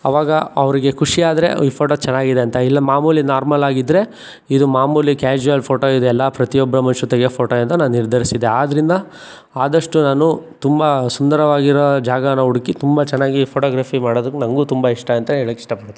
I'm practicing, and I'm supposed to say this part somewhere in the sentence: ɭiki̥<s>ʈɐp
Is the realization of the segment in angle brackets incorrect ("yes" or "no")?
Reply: yes